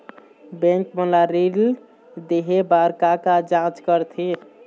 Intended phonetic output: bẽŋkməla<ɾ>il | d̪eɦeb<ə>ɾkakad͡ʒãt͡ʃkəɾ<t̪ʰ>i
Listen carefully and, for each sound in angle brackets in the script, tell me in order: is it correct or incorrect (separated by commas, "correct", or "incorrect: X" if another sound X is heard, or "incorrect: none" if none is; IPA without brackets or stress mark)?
correct, incorrect: a, correct